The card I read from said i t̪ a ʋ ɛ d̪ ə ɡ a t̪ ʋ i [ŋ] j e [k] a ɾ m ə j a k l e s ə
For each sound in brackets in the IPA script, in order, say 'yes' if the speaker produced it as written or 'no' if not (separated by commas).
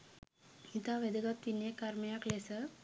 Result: no, yes